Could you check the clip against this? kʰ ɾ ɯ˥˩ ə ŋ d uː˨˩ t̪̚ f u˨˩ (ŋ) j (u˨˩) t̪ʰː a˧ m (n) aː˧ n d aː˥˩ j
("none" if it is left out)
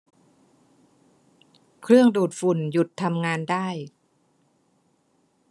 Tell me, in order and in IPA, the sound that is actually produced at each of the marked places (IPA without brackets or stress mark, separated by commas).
n, u˨˩, ŋ